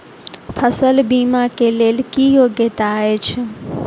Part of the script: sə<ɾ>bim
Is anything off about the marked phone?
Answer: yes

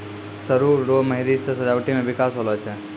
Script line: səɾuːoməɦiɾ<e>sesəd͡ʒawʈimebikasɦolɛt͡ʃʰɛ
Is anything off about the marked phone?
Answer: yes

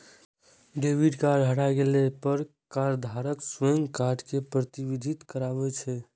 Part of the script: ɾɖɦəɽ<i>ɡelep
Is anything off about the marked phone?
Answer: yes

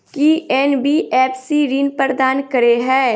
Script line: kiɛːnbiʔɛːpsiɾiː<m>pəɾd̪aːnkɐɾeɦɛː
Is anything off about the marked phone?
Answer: yes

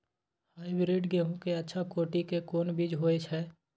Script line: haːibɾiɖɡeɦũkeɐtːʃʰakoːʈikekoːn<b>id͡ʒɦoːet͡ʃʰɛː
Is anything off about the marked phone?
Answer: no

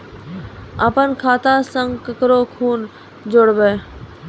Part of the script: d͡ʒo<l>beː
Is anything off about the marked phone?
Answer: yes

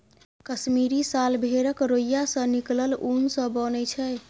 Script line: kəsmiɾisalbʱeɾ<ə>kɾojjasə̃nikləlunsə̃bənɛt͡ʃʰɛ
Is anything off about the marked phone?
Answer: no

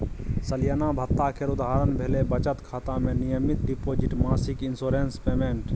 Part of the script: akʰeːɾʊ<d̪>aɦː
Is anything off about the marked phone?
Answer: no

